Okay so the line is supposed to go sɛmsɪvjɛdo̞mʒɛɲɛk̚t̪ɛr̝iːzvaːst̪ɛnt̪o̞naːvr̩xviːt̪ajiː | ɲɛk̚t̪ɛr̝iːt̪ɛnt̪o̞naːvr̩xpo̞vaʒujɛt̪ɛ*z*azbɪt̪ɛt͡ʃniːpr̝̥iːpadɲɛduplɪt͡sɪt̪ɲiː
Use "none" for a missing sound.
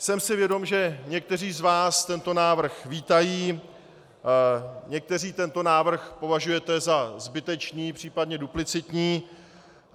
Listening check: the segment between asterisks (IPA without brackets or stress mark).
z